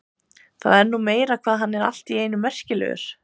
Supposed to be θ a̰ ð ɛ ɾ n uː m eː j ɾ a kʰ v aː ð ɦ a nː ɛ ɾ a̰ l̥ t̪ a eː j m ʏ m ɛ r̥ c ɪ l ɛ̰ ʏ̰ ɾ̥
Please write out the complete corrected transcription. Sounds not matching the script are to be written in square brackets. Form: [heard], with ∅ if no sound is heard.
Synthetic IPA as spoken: θ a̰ ð ɛ ɾ n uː m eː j ɾ a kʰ v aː ð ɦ a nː ɛ ɾ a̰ l̥ t̪ [i] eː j [n] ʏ m ɛ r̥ c ɪ l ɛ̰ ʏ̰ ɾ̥